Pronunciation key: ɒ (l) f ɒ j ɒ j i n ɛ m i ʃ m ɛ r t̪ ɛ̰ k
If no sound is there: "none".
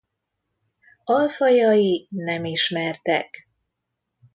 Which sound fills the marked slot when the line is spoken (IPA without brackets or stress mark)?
l